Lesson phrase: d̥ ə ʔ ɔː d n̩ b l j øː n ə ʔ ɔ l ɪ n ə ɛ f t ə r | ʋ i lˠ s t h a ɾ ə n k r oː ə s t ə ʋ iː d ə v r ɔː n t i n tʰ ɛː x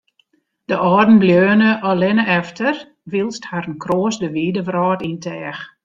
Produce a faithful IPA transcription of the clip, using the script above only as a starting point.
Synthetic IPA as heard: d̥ ə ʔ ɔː d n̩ b l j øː n ə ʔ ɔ l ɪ n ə ɛ f t ə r | ʋ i lˠ s t h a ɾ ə n k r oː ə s d ə ʋ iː d ə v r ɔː t i n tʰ ɛː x